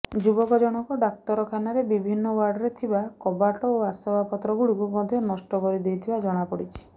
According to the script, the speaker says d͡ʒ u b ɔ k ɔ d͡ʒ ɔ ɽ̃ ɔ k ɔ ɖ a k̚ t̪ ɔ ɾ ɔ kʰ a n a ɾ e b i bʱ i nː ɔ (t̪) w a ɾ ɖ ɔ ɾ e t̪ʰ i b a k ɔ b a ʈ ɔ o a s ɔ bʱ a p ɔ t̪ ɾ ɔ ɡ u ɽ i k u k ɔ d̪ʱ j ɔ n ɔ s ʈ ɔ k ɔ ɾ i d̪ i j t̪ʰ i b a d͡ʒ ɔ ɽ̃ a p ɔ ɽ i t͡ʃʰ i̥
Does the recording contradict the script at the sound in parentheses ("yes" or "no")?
yes